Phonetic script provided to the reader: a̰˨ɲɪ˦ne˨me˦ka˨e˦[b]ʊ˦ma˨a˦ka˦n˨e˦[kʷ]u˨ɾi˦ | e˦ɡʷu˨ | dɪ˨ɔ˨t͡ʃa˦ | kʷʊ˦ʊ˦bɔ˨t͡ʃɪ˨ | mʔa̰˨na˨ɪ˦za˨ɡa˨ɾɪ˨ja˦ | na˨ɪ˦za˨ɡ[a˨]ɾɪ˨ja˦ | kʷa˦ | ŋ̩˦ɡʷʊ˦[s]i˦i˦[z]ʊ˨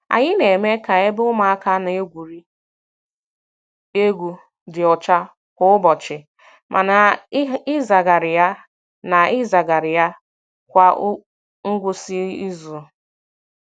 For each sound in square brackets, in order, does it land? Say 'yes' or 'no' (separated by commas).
yes, no, yes, yes, yes